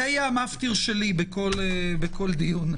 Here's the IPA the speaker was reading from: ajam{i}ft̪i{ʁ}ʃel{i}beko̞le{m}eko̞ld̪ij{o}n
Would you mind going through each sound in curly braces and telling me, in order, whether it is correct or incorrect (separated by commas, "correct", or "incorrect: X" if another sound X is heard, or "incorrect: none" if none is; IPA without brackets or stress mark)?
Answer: incorrect: a, correct, correct, incorrect: b, incorrect: u